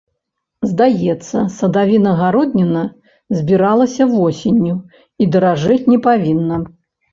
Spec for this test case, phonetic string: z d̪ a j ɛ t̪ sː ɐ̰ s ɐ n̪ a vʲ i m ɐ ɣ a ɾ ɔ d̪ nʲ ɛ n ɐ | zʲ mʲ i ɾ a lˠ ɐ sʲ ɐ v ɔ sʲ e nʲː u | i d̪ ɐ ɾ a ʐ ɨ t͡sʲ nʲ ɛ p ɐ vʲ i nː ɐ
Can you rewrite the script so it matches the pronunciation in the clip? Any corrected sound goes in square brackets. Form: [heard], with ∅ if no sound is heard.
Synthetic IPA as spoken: z d̪ a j ɛ t̪ sː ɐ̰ s ɐ [d̪] a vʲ i [n] ɐ ɣ a ɾ ɔ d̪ nʲ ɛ n ɐ | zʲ [bʲ] i ɾ a lˠ ɐ sʲ ɐ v ɔ sʲ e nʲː u | i d̪ ɐ ɾ a ʐ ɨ t͡sʲ nʲ ɛ p [a] vʲ i nː ɐ